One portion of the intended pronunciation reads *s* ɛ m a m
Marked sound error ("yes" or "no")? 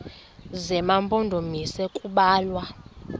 yes